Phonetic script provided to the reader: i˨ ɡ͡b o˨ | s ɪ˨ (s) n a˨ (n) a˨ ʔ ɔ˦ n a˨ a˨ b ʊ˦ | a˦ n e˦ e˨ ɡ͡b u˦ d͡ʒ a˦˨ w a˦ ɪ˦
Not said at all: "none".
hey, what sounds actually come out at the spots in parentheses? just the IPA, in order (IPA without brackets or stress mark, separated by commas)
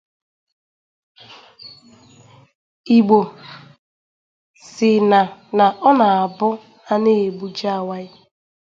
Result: none, n